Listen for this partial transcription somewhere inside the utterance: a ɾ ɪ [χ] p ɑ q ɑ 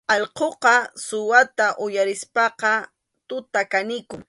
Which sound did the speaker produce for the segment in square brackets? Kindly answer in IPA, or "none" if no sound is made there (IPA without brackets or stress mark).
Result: s